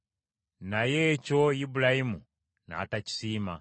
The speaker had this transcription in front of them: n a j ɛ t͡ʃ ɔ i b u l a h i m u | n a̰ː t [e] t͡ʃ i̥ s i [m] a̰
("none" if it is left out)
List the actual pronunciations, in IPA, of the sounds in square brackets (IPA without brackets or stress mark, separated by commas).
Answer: a, m